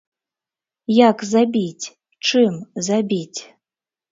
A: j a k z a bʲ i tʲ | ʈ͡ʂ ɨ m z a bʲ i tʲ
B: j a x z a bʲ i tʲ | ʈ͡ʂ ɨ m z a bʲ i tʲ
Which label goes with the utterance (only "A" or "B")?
A